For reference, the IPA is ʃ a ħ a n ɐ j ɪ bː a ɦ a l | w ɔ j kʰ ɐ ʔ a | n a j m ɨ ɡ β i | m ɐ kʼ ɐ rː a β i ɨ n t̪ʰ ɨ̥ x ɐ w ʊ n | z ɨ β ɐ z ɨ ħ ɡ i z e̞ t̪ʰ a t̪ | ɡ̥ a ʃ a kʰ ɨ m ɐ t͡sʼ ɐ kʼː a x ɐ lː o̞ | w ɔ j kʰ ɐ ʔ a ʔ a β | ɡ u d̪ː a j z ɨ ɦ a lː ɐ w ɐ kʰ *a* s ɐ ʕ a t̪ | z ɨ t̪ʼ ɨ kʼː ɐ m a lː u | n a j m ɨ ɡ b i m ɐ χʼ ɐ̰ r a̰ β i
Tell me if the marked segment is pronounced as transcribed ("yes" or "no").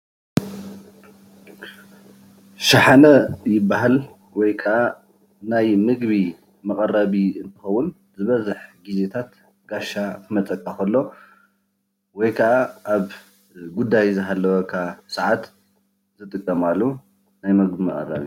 yes